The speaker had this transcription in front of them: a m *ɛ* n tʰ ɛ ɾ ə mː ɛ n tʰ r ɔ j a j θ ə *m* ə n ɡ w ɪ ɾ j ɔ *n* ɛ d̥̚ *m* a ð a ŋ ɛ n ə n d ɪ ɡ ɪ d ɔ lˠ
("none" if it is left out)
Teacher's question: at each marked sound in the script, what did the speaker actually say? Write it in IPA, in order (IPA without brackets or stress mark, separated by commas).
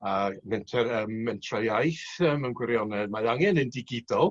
ɛ, m, n, m